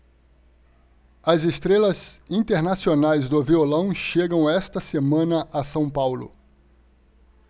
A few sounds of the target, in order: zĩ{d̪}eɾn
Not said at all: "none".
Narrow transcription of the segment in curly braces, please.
t̪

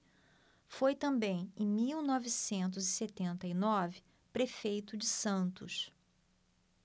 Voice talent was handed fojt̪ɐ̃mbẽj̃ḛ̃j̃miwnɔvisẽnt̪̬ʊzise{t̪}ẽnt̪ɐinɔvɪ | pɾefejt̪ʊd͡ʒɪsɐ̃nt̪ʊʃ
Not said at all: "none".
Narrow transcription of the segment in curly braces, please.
t̪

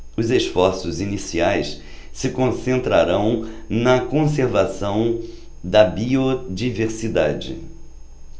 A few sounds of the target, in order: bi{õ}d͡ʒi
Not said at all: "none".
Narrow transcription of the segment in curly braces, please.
o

